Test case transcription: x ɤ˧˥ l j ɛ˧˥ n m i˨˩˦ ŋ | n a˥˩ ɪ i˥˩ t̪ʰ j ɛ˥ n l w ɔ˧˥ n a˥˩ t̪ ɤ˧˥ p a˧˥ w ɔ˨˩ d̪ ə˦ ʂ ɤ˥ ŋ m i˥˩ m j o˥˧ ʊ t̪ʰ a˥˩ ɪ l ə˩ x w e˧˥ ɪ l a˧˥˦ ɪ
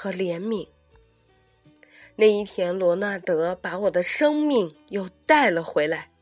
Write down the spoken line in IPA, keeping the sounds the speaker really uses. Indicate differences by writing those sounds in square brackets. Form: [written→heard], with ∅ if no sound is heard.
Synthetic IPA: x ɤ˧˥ l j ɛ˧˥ n m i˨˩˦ ŋ | n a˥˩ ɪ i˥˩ t̪ʰ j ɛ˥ n l w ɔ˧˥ n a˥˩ t̪ ɤ˧˥ p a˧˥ w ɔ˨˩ d̪ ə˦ ʂ ɤ˥ ŋ m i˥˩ [m→ŋ] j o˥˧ ʊ [t̪ʰ→t̪] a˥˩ ɪ l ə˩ x w e˧˥ ɪ l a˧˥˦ ɪ